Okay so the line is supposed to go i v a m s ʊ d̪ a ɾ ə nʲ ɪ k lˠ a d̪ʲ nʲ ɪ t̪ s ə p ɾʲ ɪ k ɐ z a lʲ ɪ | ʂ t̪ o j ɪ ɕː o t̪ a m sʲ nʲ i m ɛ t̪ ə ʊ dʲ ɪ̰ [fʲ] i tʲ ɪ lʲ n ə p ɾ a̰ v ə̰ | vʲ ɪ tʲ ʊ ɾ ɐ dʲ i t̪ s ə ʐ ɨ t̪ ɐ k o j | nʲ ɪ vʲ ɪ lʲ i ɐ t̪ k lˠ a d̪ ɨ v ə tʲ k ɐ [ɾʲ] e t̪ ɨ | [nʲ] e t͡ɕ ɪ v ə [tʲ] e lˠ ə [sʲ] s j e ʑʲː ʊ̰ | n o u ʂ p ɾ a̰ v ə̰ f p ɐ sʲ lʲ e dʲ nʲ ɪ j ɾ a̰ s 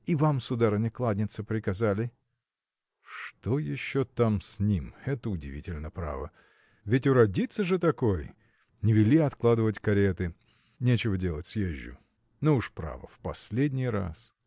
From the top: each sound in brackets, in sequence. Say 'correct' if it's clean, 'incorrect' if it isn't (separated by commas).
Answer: incorrect, correct, correct, incorrect, incorrect